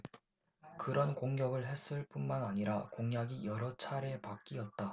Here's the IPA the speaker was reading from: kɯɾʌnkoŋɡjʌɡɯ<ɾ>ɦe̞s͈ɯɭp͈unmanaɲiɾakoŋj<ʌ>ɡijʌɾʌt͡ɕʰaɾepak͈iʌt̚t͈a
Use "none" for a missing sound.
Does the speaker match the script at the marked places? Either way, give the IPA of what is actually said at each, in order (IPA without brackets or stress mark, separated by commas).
ɭ, a